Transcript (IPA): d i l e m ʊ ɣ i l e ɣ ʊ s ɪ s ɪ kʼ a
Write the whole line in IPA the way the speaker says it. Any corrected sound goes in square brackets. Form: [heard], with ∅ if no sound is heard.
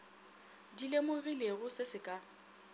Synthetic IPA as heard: d i l e m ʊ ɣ i l e ɣ ʊ s ɪ s ɪ kʼ a